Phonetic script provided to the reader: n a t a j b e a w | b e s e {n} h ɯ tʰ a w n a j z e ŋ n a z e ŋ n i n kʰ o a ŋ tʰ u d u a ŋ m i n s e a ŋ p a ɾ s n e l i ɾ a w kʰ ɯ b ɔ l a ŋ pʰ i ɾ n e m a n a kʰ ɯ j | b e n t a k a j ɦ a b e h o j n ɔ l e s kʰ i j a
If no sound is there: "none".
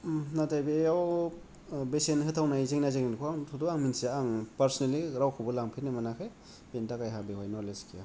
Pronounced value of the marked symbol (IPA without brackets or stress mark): n